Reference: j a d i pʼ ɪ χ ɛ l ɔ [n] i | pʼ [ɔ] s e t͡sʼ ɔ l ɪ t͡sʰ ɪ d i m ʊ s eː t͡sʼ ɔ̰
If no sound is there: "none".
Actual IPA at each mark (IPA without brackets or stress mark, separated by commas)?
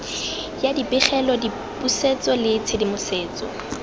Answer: d, u